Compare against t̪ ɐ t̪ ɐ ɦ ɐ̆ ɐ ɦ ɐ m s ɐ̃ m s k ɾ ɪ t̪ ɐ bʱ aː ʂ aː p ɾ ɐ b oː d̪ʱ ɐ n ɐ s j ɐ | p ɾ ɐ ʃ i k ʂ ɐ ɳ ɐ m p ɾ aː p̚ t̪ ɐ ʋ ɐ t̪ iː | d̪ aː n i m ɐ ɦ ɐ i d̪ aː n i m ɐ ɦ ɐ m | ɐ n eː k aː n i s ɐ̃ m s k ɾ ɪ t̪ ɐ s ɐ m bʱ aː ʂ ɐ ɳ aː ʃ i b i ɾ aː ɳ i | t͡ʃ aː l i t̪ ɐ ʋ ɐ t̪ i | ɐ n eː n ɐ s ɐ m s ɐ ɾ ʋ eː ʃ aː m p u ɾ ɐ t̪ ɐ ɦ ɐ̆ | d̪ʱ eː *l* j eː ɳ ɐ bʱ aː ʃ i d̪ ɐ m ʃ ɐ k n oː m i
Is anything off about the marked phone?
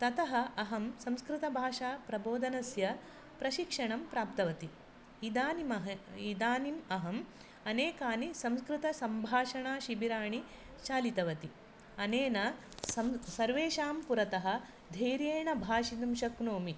yes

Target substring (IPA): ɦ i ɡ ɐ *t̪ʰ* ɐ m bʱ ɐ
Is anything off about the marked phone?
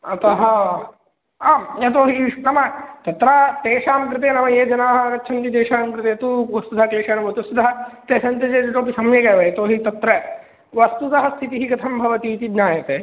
no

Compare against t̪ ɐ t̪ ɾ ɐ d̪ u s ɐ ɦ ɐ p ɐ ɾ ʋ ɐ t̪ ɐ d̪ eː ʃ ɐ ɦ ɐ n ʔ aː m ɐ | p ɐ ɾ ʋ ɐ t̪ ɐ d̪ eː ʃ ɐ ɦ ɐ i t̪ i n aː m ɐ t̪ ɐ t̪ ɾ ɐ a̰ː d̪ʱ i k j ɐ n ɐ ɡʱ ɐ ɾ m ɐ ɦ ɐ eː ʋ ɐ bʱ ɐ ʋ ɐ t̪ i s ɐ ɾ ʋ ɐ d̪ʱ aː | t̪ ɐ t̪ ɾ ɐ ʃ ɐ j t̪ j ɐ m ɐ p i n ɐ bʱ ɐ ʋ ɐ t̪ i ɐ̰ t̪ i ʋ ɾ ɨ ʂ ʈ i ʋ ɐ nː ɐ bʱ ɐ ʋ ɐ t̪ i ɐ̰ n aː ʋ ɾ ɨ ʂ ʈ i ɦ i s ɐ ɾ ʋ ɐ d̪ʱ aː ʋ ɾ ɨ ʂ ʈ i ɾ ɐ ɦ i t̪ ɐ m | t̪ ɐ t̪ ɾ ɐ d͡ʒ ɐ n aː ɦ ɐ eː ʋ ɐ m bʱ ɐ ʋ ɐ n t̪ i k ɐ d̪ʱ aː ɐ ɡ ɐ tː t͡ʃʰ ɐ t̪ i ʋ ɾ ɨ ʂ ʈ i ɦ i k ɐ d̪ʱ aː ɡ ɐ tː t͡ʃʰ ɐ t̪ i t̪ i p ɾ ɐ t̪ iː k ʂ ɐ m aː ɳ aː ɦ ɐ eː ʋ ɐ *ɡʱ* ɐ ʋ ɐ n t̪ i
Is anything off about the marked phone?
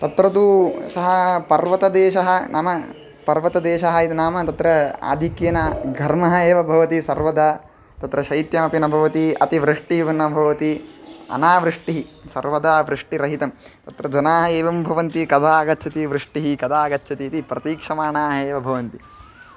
yes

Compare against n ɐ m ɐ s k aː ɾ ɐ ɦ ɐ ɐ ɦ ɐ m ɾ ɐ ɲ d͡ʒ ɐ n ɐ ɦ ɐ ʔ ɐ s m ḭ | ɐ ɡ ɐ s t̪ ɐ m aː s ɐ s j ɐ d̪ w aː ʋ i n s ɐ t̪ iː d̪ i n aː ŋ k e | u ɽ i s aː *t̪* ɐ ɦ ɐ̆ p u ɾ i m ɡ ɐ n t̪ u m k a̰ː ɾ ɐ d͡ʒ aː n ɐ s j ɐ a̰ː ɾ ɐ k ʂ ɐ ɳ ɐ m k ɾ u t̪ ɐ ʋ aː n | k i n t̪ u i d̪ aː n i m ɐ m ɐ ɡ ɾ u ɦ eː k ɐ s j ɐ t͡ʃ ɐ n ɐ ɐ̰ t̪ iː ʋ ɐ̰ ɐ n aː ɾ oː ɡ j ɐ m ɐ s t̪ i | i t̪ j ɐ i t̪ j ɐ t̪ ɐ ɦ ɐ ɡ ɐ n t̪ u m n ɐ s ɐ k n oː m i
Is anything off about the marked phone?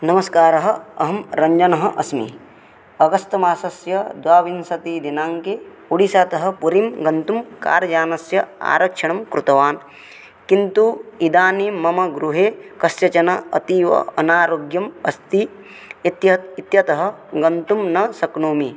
no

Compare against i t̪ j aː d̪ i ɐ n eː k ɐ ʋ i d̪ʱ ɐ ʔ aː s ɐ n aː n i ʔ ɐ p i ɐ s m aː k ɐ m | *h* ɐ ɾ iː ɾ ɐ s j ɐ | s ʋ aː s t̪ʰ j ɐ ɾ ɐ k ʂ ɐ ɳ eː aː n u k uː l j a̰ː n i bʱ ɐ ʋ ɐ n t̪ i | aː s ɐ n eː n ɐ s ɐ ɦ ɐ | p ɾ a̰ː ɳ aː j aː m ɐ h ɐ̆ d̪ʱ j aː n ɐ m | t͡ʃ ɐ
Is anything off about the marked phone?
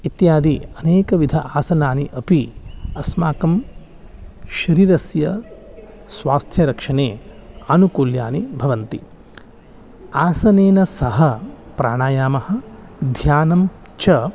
yes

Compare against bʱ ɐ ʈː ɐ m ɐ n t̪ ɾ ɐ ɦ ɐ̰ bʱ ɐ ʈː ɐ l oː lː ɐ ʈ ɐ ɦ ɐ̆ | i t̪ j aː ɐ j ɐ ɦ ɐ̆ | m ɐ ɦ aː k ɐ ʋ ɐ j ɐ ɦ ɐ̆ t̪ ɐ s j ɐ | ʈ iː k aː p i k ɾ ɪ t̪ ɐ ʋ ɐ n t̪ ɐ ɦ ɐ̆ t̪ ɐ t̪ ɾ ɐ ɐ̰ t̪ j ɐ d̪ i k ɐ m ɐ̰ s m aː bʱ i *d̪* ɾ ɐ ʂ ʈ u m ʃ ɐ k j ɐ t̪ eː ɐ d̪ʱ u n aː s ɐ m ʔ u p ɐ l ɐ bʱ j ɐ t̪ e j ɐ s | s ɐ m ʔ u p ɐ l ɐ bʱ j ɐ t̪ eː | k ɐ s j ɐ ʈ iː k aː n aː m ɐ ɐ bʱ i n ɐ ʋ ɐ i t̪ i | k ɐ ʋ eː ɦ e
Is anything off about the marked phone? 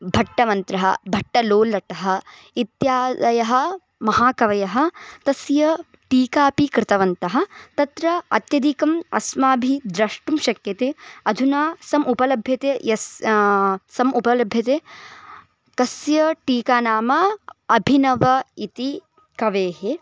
no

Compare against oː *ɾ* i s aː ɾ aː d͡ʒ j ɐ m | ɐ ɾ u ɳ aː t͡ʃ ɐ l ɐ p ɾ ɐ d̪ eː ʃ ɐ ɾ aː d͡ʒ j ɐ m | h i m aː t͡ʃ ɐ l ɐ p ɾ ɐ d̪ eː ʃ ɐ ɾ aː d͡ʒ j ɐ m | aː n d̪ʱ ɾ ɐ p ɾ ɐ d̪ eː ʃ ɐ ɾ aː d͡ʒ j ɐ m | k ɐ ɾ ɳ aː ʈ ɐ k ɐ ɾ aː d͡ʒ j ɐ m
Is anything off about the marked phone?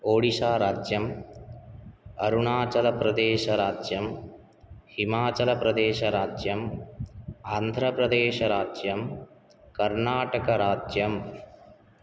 yes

